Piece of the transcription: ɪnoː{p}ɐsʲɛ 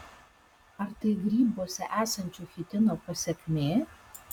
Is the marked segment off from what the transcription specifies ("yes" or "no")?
no